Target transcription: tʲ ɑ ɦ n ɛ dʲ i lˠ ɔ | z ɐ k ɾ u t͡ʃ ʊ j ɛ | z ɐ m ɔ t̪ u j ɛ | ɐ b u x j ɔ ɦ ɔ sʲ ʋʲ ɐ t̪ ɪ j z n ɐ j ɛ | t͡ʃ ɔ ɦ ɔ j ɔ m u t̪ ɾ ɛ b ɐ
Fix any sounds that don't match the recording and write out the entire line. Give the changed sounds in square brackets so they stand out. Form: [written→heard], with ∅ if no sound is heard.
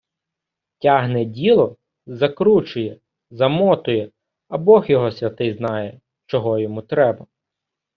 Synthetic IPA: tʲ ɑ ɦ n ɛ dʲ i lˠ ɔ | z ɐ k ɾ u t͡ʃ ʊ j ɛ | z ɐ m ɔ t̪ [u→ʊ] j ɛ | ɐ b [u→ɔ] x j ɔ ɦ ɔ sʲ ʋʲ ɐ t̪ ɪ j z n [ɐ→ɑ] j ɛ | t͡ʃ ɔ ɦ ɔ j ɔ m u t̪ ɾ ɛ b ɐ

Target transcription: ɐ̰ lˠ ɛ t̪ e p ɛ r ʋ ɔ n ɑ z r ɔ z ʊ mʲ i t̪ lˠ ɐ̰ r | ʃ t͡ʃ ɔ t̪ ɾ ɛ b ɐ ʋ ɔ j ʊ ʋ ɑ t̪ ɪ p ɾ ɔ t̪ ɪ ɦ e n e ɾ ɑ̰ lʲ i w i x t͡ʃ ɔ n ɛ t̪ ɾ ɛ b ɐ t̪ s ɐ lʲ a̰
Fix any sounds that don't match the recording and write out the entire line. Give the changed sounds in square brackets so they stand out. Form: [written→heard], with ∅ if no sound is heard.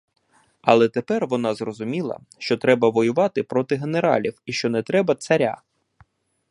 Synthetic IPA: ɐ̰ lˠ ɛ t̪ e p ɛ r ʋ ɔ n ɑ z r ɔ z ʊ mʲ i [t̪→∅] lˠ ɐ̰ [r→∅] | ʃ t͡ʃ ɔ t̪ ɾ ɛ b ɐ ʋ ɔ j ʊ ʋ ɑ t̪ ɪ p ɾ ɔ t̪ ɪ ɦ e n e ɾ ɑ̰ lʲ i w i [x→ʃ] t͡ʃ ɔ n ɛ t̪ ɾ ɛ b ɐ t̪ s ɐ [lʲ→ɾʲ] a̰

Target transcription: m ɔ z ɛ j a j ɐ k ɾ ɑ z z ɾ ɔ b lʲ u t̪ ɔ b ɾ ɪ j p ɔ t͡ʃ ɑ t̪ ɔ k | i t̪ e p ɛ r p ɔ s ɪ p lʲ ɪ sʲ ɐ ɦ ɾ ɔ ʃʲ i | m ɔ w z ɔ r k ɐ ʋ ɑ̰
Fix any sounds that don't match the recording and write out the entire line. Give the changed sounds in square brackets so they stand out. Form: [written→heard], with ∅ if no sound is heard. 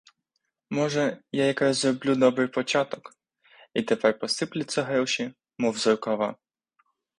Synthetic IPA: m ɔ [z→ʒ] ɛ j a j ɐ k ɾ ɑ z z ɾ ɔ b lʲ u [t̪→d̪] ɔ b ɾ ɪ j p ɔ t͡ʃ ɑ t̪ ɔ k | i t̪ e p ɛ r p ɔ s ɪ p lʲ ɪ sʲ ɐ ɦ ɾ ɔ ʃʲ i | m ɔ w z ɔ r k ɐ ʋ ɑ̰

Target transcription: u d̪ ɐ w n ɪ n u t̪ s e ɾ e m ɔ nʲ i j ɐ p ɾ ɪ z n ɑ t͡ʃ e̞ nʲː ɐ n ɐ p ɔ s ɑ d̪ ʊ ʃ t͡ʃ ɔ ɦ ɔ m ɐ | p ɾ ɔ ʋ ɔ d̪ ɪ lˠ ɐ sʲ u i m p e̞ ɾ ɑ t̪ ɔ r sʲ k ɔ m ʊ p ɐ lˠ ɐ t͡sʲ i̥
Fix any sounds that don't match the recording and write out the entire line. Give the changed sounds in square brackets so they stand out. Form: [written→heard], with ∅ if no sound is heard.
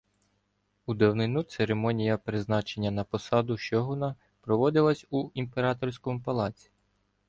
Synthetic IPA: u d̪ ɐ w n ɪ n u t̪ s e ɾ e m ɔ nʲ i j ɐ p ɾ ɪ z n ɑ t͡ʃ e̞ nʲː ɐ n ɐ p ɔ s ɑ d̪ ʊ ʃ t͡ʃ ɔ ɦ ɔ [m→n] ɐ | p ɾ ɔ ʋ ɔ d̪ ɪ lˠ ɐ sʲ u i m p e̞ ɾ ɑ t̪ ɔ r sʲ k ɔ m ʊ p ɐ lˠ [ɐ→ɑ] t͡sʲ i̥

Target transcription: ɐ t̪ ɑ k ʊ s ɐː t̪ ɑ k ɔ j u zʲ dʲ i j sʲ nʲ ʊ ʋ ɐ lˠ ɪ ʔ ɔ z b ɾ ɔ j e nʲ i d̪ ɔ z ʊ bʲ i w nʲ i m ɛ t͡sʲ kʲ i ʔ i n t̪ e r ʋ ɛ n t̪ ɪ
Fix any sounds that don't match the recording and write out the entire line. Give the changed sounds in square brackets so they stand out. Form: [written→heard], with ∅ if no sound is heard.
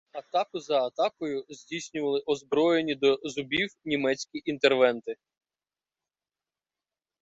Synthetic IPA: ɐ t̪ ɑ k ʊ [s→z] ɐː t̪ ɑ k ɔ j [u→ʊ] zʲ dʲ i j sʲ nʲ ʊ ʋ ɐ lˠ ɪ ʔ ɔ z b ɾ ɔ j e nʲ i d̪ ɔ z ʊ bʲ i w nʲ i m ɛ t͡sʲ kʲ i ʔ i n t̪ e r ʋ ɛ n t̪ ɪ

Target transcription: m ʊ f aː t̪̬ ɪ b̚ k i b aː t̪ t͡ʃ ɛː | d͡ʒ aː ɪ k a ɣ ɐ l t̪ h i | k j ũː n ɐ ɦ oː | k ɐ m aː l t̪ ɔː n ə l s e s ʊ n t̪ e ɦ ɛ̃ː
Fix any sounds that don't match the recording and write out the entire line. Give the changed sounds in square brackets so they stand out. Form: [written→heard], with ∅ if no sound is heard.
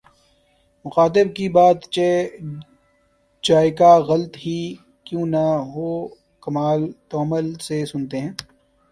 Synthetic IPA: m ʊ [f→x] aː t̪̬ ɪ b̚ k i b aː t̪ t͡ʃ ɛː | d͡ʒ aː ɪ k a ɣ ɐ l t̪ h i | k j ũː n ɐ ɦ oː | k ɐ m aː l t̪ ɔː [n→m] ə l s e s ʊ n t̪ e ɦ ɛ̃ː

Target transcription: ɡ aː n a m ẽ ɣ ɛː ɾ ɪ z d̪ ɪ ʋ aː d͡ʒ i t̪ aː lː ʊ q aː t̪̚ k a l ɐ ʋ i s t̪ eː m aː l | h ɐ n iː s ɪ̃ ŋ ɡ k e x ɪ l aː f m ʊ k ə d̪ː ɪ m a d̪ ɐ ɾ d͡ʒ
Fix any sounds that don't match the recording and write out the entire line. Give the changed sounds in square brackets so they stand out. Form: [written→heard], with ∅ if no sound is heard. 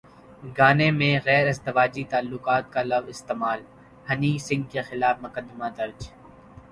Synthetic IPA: ɡ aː n [a→e] m ẽ ɣ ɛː ɾ ɪ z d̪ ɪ ʋ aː d͡ʒ i t̪ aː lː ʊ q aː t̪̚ k a l ɐ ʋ [i→ɪ] s t̪ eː m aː l | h ɐ n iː s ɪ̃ ŋ ɡ k e x ɪ l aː f m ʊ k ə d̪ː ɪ m a d̪ ɐ ɾ d͡ʒ

